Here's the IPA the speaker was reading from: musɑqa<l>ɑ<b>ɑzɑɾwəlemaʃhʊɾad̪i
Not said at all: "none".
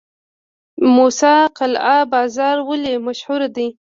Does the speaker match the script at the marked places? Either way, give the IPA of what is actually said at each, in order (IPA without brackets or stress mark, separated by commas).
l, b